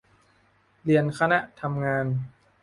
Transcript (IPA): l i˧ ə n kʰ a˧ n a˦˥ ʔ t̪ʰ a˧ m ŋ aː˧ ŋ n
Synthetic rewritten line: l i˧ ə n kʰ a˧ n a˦˥ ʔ t̪ʰ a˧ m ŋ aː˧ n